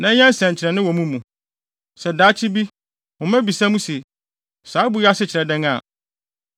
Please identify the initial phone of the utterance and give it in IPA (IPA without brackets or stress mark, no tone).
n